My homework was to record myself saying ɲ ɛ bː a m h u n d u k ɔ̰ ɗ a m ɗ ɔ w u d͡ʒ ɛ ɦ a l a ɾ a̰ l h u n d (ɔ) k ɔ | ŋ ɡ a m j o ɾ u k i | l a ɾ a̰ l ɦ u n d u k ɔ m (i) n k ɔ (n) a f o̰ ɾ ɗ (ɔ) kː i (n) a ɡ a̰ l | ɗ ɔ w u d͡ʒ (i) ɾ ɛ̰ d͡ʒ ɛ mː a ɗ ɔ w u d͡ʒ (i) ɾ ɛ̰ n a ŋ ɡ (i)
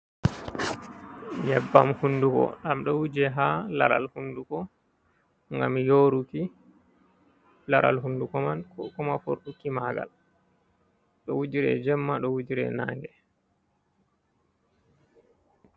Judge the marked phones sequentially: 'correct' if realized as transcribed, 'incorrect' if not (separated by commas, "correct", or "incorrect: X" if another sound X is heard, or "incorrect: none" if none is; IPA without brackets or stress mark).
incorrect: u, incorrect: a, incorrect: m, incorrect: u, incorrect: m, correct, correct, incorrect: ɛ